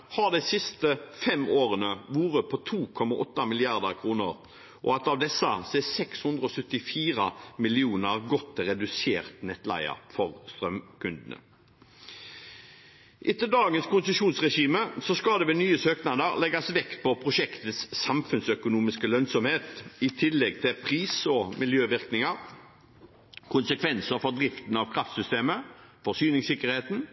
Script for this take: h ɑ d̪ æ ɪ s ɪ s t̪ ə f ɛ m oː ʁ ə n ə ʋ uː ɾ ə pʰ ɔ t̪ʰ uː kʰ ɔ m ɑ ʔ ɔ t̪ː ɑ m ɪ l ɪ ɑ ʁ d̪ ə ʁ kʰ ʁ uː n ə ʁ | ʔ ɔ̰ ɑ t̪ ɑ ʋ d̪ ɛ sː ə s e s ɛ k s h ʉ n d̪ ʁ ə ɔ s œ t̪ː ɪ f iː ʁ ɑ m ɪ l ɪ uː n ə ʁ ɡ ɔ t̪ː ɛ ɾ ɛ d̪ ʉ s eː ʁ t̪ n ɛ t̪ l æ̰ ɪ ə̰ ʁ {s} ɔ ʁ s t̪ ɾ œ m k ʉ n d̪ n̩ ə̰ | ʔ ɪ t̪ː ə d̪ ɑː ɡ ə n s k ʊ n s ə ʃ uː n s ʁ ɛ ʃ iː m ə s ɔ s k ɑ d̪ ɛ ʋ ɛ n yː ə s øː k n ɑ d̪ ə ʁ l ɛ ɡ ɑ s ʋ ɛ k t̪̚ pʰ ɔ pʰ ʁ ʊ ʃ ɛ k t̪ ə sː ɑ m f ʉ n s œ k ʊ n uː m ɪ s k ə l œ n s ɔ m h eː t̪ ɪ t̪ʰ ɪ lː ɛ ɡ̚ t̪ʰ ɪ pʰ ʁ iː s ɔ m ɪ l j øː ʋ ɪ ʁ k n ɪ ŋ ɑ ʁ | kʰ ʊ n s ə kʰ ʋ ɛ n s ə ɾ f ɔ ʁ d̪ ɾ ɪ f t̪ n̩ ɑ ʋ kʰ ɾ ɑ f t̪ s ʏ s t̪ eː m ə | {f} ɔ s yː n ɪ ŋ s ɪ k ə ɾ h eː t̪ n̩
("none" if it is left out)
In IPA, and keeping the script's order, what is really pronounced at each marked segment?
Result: f, f

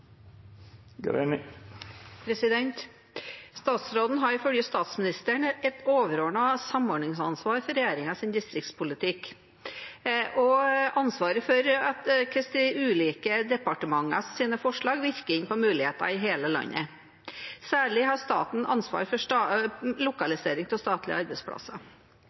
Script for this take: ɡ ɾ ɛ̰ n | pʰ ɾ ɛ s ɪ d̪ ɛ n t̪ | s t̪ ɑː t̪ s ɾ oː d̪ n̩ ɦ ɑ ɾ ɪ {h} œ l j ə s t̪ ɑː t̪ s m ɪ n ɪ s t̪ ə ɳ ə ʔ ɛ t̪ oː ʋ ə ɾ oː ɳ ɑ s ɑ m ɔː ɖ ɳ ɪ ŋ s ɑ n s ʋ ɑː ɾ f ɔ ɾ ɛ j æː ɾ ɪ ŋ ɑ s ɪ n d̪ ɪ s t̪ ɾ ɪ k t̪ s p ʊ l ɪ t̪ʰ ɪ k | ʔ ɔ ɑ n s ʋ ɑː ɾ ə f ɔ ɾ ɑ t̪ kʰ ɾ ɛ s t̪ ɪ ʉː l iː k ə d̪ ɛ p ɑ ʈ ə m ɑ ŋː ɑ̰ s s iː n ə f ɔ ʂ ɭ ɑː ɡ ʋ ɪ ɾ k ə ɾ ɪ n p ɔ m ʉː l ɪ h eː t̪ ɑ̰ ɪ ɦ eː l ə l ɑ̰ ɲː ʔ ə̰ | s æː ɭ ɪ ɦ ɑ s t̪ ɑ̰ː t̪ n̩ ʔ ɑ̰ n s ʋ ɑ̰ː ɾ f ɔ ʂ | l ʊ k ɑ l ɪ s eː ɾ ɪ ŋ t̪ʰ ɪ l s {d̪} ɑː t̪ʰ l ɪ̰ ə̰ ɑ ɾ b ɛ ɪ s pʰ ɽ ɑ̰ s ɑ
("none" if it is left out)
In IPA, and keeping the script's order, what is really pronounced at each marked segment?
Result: f, t̪

